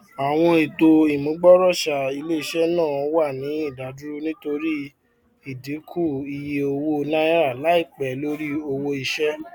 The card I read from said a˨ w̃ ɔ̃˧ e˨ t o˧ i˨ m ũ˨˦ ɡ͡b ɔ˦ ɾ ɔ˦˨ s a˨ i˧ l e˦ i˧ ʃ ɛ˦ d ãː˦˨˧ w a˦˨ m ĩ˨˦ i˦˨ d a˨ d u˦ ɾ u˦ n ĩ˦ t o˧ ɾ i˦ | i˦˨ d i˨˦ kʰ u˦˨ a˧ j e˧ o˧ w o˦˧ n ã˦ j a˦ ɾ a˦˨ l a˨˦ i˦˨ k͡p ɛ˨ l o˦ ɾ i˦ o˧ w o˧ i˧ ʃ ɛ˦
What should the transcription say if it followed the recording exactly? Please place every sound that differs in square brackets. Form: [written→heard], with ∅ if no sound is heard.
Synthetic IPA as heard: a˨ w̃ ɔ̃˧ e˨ t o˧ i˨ m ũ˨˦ ɡ͡b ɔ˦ ɾ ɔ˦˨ [s→ʃ] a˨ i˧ l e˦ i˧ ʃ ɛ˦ [d→n] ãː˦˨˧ w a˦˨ [m→n] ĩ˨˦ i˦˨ d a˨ d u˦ ɾ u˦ n ĩ˦ t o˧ ɾ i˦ | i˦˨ d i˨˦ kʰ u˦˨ [a˧→i˧] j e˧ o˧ w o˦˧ n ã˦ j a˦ ɾ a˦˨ l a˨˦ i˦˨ k͡p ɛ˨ l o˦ ɾ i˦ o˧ w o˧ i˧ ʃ ɛ˦